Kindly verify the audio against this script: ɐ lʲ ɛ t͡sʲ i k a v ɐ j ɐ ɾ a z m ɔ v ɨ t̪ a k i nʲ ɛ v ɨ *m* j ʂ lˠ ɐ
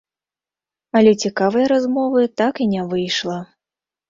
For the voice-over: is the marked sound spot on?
no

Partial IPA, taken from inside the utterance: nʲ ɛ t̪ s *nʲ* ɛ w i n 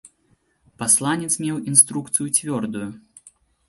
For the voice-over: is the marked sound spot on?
no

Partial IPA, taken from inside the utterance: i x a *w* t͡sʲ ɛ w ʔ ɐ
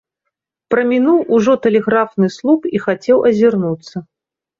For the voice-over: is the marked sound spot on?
no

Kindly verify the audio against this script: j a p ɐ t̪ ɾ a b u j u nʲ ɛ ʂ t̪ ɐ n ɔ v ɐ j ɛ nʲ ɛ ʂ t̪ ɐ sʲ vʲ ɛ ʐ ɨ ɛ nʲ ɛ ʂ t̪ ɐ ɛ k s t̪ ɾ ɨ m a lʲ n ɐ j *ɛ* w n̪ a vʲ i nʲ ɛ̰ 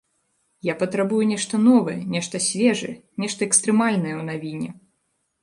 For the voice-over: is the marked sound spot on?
yes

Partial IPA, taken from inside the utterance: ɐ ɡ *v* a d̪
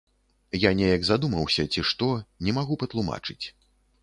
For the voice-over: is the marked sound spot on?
no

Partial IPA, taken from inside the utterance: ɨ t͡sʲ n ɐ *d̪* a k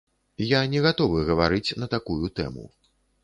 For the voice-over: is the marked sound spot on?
no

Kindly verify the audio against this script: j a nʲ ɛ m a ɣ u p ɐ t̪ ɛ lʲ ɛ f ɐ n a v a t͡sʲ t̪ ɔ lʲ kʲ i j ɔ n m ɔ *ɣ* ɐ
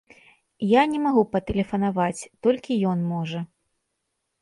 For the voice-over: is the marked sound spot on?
no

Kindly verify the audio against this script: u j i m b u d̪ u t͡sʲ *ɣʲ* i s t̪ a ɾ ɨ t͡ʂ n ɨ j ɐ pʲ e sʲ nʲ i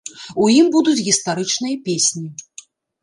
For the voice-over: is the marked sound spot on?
yes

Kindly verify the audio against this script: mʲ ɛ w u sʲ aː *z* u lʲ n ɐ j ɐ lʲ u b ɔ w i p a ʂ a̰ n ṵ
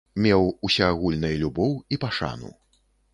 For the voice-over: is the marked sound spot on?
no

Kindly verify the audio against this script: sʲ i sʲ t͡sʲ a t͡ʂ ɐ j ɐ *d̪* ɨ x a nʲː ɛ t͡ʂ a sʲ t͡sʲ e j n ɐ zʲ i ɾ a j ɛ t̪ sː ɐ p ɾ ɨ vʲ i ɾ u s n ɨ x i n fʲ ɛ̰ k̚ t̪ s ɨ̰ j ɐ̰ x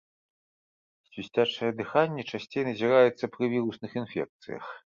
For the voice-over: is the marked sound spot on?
yes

